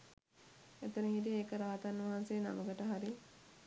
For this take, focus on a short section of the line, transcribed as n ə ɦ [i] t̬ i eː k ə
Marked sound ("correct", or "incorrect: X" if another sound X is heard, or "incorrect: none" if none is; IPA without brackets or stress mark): correct